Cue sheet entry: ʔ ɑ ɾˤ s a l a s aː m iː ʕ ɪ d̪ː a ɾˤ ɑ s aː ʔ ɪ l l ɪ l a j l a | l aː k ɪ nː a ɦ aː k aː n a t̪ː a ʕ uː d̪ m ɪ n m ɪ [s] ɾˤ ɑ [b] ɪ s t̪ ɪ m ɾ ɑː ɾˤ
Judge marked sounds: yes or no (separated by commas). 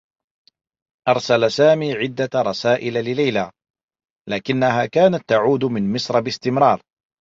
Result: yes, yes